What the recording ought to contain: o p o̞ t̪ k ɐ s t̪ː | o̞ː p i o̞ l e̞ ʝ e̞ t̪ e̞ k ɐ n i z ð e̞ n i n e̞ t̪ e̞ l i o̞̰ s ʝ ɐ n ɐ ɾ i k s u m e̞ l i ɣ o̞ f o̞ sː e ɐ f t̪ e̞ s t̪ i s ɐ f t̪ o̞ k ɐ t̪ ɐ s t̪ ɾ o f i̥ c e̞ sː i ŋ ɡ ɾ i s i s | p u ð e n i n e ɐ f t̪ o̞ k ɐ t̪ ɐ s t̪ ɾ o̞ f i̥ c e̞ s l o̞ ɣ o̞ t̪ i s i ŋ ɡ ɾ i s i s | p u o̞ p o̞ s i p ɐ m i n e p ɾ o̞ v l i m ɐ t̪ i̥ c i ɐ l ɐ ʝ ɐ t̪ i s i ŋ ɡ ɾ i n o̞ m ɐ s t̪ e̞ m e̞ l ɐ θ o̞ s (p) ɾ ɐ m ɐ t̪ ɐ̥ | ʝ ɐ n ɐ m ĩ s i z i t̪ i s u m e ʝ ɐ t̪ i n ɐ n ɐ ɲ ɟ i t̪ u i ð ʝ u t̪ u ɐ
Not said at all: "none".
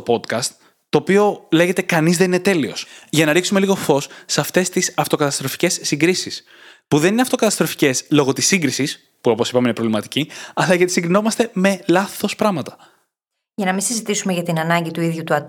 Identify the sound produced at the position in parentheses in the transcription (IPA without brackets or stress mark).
p